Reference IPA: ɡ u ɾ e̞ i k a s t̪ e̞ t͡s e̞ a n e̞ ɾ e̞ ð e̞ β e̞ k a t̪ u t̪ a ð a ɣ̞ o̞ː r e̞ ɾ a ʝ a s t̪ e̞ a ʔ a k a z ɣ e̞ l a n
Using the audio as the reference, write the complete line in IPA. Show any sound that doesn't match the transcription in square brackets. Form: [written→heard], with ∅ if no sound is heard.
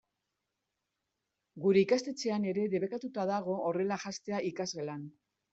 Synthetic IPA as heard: ɡ u ɾ e̞ i k a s t̪ e̞ t͡s e̞ a n e̞ ɾ e̞ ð e̞ β e̞ k a t̪ u t̪ a ð a ɣ̞ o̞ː r e̞ [ɾ→l] a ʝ a s t̪ e̞ a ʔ [a→i] k a z ɣ e̞ l a n